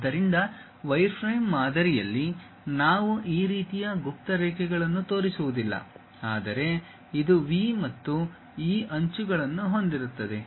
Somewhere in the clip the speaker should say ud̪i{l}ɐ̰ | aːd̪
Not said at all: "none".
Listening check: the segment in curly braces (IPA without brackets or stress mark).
lː